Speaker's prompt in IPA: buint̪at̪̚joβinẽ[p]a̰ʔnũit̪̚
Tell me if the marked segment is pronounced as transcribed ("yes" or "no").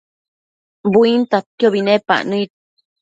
yes